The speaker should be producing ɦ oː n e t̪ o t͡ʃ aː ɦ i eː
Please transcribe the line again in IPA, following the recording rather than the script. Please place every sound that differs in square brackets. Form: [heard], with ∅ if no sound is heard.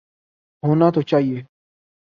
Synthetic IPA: ɦ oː n [a] t̪ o t͡ʃ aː ɦ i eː